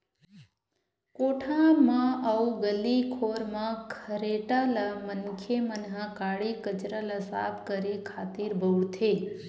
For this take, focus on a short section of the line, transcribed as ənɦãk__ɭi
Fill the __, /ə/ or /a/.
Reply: a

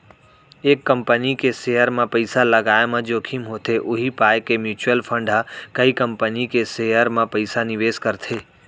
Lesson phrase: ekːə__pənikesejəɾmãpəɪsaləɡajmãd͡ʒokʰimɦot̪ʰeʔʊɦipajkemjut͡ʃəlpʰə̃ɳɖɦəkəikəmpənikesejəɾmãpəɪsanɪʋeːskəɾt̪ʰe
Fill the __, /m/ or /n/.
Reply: m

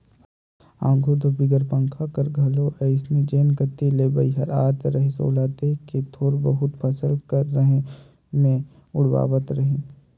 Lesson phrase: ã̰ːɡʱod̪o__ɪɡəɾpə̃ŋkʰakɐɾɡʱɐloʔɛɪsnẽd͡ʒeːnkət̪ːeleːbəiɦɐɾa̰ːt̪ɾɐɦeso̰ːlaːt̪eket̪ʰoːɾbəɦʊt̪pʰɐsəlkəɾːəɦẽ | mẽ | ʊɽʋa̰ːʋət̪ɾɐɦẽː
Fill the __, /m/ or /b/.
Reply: b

